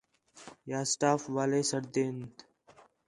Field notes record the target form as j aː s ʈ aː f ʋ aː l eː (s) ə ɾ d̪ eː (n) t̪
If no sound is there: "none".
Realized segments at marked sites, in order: s, n

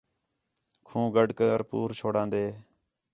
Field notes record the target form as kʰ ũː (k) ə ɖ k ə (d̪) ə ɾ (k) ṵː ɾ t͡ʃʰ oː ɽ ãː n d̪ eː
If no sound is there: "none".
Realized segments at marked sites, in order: ɡ, none, p

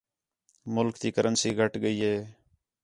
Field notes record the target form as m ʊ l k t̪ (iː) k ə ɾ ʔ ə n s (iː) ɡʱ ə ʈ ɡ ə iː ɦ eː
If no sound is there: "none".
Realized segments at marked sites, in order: iː, iː

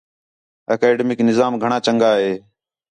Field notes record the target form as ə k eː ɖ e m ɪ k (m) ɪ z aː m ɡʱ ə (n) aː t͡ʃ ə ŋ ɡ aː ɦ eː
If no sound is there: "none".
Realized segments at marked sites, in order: n, ɳ

